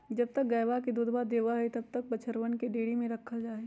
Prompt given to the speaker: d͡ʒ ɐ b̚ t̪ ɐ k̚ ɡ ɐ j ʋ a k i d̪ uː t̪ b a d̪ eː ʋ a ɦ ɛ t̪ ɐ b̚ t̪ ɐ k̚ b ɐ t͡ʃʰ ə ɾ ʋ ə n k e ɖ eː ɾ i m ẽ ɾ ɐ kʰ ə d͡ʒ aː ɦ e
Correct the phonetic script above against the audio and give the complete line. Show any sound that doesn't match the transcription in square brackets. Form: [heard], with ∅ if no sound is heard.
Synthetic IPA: d͡ʒ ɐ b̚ t̪ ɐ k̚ ɡ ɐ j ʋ a k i d̪ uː [d̪] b a d̪ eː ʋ a ɦ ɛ t̪ ɐ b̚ t̪ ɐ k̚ b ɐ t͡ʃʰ ə ɾ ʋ ə n k e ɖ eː [ɽ] i m ẽ ɾ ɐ kʰ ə d͡ʒ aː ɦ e